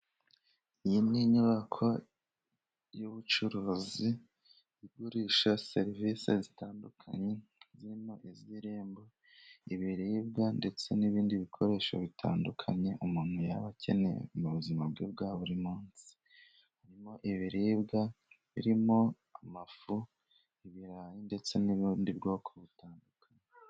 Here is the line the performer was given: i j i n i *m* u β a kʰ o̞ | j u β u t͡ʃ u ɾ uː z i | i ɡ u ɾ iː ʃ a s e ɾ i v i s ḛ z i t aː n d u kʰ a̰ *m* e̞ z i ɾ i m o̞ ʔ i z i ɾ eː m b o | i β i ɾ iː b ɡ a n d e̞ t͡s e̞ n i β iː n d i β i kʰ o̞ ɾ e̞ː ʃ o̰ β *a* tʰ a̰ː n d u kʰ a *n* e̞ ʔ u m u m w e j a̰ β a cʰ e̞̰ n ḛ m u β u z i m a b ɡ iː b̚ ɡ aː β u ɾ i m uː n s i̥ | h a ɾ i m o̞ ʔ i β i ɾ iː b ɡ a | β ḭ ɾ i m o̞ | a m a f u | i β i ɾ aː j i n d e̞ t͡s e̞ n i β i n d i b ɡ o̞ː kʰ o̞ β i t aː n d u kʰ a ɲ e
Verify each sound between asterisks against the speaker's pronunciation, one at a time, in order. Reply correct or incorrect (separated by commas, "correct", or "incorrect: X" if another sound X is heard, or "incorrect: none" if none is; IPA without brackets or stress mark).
incorrect: ɲ, incorrect: ɲ, incorrect: i, incorrect: ɲ